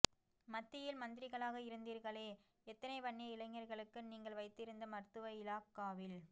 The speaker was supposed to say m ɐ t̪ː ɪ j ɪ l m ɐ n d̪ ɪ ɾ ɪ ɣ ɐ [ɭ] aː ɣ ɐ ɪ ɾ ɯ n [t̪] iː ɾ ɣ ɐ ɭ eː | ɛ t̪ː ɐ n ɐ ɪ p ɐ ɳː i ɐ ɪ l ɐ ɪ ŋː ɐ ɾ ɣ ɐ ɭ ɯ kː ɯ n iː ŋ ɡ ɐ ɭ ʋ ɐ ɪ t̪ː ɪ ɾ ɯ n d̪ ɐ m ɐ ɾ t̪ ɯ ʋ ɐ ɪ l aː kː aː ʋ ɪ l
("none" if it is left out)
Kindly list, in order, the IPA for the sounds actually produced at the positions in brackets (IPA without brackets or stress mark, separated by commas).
ɭ, d̪